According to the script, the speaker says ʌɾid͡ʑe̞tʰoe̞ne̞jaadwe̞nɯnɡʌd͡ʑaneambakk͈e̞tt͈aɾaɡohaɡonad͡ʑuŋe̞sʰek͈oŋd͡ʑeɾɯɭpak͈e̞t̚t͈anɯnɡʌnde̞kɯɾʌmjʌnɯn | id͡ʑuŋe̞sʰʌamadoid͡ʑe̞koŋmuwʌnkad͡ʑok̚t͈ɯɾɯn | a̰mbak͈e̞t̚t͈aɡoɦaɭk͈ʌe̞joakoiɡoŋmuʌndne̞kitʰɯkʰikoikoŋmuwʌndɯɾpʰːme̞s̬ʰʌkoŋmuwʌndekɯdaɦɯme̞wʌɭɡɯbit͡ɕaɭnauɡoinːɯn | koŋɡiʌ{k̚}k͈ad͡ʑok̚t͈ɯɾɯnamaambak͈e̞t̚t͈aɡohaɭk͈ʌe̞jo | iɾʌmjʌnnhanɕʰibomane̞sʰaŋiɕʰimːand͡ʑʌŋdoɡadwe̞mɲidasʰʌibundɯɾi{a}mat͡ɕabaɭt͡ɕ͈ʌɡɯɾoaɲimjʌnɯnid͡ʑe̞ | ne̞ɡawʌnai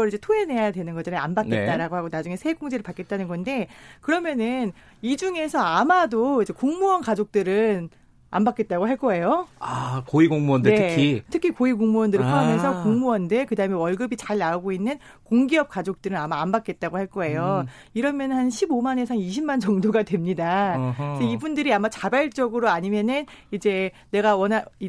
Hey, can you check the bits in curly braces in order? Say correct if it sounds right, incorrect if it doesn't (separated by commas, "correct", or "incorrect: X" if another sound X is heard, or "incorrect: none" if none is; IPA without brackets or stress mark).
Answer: incorrect: p̚, correct